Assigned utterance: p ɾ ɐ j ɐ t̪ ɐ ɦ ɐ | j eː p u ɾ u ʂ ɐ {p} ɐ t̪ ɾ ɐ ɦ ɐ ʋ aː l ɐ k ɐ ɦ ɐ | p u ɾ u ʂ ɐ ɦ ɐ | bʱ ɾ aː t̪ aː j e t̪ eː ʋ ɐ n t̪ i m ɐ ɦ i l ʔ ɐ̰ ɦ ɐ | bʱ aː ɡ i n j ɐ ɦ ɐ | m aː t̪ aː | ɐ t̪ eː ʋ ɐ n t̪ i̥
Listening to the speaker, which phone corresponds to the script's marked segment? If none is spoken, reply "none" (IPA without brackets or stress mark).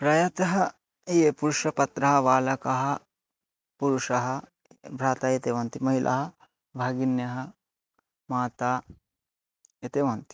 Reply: p